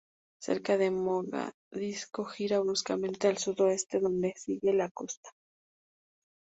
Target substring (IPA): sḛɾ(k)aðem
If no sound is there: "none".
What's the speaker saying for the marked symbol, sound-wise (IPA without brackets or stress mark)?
k